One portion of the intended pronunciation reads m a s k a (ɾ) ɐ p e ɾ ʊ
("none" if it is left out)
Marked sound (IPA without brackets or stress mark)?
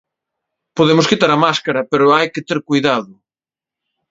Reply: ɾ